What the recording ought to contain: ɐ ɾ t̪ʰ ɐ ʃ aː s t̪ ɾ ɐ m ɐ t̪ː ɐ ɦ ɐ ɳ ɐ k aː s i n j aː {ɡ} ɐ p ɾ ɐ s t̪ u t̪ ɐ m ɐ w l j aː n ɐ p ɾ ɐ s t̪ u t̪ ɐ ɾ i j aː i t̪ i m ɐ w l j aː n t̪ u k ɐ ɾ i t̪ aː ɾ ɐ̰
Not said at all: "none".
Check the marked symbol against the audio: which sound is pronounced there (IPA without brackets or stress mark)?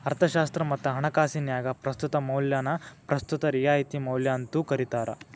ɡ